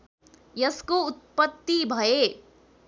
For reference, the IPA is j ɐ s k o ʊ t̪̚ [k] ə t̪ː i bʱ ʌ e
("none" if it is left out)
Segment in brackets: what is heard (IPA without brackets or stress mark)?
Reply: p